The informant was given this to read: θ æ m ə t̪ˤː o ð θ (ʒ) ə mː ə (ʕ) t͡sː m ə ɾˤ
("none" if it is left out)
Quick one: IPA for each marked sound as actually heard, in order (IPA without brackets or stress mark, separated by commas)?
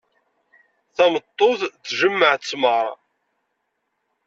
ʒ, ʕ